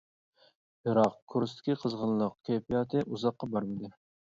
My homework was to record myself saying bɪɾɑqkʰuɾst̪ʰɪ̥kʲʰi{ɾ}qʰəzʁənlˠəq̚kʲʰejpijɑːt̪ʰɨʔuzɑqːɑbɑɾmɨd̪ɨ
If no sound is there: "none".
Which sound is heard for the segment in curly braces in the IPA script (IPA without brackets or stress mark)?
none